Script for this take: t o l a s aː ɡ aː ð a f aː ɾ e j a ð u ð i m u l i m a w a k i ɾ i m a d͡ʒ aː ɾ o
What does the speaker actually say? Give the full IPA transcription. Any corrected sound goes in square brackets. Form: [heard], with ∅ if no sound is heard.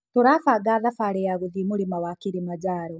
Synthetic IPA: t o [ɾ] a [f] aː ɡ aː ð a f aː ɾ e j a [ɣ] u ð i m u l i m a w a k i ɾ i m a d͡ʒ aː ɾ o